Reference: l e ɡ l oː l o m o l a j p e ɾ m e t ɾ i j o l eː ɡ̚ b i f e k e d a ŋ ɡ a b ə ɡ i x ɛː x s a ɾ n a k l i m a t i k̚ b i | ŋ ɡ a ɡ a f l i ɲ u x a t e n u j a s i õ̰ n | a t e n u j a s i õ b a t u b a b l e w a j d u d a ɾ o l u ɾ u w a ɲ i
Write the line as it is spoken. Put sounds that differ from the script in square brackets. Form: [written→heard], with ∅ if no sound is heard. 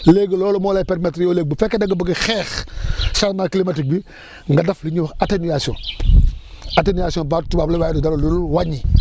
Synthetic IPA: l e ɡ l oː l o m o l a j p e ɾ m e t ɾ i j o l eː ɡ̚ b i f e k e d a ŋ ɡ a b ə ɡ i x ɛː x s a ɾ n a k l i m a t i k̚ b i | ŋ ɡ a [ɡ→d] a f l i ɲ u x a t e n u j a s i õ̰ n | a t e n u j a s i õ b a t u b a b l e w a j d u d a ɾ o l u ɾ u w a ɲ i